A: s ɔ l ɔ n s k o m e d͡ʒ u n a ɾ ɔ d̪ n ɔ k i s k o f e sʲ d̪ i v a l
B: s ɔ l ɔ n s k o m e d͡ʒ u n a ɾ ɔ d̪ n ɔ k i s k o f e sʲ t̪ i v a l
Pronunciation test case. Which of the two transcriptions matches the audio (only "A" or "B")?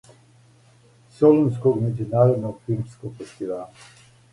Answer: B